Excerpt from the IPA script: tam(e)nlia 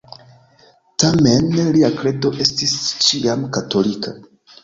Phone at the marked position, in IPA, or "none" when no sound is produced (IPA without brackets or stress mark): e